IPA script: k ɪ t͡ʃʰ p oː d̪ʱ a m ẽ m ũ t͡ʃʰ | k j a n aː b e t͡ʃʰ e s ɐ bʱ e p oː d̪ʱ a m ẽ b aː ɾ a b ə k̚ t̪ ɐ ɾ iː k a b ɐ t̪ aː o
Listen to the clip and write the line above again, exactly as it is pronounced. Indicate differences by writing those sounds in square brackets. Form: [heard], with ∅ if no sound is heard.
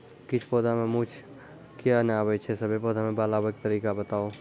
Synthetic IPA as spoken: k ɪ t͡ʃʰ p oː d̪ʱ a m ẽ m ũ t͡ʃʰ | k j a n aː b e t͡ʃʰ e s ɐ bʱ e p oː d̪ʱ a m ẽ b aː [l] a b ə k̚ t̪ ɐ ɾ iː k a b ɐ t̪ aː o